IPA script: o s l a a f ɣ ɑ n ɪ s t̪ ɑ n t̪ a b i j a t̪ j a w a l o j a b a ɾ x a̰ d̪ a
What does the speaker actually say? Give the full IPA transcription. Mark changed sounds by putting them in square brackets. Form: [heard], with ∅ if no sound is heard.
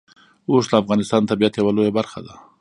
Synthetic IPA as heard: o s l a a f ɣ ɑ n ɪ s t̪ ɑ n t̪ a b i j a t̪ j a w a l o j a b a ɾ x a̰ d̪ a